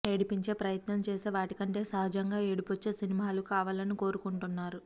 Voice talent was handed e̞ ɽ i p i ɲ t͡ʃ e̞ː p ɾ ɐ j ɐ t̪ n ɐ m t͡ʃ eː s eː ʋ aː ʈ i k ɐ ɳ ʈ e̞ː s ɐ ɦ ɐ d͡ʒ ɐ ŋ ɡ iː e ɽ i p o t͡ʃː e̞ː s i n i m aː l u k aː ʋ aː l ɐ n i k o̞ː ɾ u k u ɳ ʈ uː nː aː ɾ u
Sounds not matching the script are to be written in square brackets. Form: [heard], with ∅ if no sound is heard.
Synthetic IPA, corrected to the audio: e̞ ɽ i p i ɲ t͡ʃ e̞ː p ɾ ɐ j ɐ t̪ n ɐ m t͡ʃ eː s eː ʋ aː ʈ i k ɐ ɳ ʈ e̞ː s ɐ ɦ ɐ d͡ʒ ɐ ŋ ɡ [aː] e ɽ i p o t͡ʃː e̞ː s i n i m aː l u k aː ʋ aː l ɐ n i k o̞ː ɾ u k u ɳ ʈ [u] nː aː ɾ u

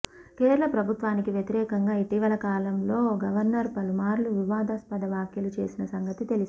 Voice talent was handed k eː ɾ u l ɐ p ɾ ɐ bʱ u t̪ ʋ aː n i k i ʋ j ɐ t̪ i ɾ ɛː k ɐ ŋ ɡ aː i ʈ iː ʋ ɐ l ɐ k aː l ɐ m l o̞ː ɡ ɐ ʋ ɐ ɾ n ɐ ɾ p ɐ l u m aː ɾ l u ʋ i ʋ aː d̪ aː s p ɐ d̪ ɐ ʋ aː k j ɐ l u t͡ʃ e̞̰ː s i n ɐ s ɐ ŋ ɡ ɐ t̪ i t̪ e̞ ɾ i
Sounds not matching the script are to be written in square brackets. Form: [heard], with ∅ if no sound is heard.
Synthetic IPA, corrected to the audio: k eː ɾ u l ɐ p ɾ ɐ bʱ u t̪ ʋ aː n i k i ʋ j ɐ t̪ i ɾ ɛː k ɐ ŋ ɡ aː i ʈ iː ʋ ɐ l ɐ k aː l ɐ m l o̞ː ɡ ɐ ʋ ɐ ɾ n ɐ ɾ p ɐ l u m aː ɾ l u ʋ i ʋ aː d̪ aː s p ɐ d̪ ɐ ʋ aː k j ɐ l u t͡ʃ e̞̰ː s i n ɐ s ɐ ŋ ɡ ɐ t̪ i t̪ e̞ [l] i

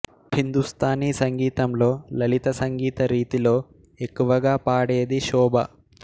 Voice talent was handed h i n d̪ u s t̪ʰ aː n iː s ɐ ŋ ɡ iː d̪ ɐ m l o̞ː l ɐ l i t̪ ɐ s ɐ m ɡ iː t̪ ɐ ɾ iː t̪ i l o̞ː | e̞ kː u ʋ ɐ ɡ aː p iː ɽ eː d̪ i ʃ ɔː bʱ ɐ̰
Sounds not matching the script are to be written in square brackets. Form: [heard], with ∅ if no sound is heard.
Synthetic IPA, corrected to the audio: h i n d̪ u s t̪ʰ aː n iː s ɐ ŋ ɡ iː [t̪] ɐ m l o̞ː l ɐ l i t̪ ɐ s ɐ [ŋ] ɡ iː t̪ ɐ ɾ iː t̪ i l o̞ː | e̞ kː u ʋ ɐ ɡ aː p [aː] ɽ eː d̪ i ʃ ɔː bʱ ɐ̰

